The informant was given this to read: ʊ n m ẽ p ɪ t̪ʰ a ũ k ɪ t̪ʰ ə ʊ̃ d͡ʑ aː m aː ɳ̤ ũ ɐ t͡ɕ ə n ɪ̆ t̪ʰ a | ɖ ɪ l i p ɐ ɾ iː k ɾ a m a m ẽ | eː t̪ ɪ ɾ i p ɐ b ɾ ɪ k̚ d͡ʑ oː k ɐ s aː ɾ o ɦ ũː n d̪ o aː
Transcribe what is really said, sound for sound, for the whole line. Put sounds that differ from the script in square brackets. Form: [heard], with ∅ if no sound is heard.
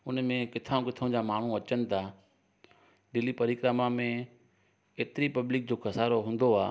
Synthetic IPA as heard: ʊ n m ẽ [k] ɪ t̪ʰ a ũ k ɪ t̪ʰ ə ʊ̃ d͡ʑ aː m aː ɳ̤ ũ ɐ t͡ɕ ə n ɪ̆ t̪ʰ a | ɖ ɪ l i p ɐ ɾ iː k ɾ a m a m ẽ | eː t̪ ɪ ɾ i p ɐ b [l] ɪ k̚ d͡ʑ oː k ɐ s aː ɾ o ɦ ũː n d̪ o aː